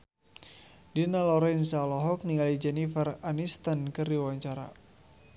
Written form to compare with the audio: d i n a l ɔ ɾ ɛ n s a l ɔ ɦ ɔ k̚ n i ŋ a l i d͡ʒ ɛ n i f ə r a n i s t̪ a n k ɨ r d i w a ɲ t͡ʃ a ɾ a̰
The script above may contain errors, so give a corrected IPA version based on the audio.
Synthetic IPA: d i n a l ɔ ɾ ɛ n s a l ɔ ɦ ɔ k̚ n i ŋ a l i d͡ʒ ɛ n i f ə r a n i s t̪ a n k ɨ r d i w a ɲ t͡ʃ a ɾ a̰